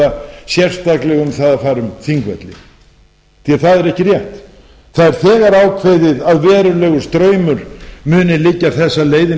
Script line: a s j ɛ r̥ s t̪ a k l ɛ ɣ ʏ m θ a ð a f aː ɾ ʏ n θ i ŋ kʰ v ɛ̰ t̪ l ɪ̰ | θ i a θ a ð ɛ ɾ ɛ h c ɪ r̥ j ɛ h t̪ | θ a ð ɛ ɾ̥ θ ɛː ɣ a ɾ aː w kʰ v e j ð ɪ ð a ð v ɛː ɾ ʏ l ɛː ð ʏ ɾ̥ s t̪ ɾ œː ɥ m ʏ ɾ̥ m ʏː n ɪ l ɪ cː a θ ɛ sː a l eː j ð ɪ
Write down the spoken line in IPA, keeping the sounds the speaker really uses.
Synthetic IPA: a s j ɛ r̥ s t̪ a k l ɛ ɣ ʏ m θ a ð a f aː ɾ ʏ m θ i ŋ k v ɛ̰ t̪ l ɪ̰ | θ i a θ a ð ɛ ɾ ɛ h c ɪ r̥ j ɛ h t̪ | θ a ð ɛ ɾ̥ θ ɛː ɣ a ɾ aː w kʰ v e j ð ɪ ð a ð v ɛː ɾ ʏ l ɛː ɣ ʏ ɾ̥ s t̪ ɾ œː ɥ m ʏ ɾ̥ m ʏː n ɪ l ɪ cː a θ ɛ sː a l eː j ð ɪ